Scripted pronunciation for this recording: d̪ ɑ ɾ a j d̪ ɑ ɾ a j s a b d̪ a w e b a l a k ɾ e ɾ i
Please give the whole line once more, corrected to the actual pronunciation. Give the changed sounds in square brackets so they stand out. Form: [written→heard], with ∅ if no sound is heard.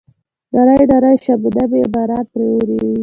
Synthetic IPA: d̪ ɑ ɾ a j d̪ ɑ ɾ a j [s→ʃ] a b d̪ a [w→b] e b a [l→ɾ] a [k→p] ɾ e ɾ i